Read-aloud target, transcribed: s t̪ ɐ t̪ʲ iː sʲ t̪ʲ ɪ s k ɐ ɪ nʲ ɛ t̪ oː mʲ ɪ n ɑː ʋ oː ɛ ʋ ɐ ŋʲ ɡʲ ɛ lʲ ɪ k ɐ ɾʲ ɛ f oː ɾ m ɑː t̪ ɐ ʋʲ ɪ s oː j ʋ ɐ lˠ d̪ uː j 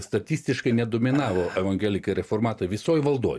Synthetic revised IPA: s t̪ ɐ t̪ʲ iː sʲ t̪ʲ ɪ ʃ k ɐ ɪ nʲ ɛ d̪ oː mʲ ɪ n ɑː ʋ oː ɛ ʋ ɐ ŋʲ ɡʲ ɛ lʲ ɪ k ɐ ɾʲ ɛ f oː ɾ m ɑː t̪ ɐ ʋʲ ɪ s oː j ʋ ɐ lˠ d̪ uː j